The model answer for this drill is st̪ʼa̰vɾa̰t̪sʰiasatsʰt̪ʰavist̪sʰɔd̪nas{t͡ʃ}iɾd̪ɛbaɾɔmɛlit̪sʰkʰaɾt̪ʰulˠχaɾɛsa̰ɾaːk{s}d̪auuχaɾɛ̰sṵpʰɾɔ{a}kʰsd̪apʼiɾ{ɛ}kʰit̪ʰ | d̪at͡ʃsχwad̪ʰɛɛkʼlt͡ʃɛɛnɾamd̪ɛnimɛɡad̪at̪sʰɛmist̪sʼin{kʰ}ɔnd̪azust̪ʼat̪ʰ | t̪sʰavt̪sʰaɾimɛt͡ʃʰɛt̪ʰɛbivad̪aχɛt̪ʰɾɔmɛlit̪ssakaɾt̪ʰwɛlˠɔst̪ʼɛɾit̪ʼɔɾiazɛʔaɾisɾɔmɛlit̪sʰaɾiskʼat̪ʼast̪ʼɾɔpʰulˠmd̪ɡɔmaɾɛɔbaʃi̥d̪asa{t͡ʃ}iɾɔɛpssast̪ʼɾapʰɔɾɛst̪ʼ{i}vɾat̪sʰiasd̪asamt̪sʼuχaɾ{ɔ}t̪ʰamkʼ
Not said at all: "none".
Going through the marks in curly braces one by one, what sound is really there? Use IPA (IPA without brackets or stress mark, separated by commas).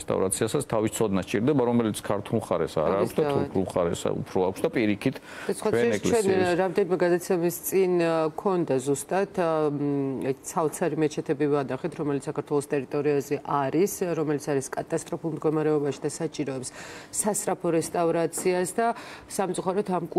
t͡ʃʼ, s, a, i, kʰ, t͡ʃʼ, a, ɔ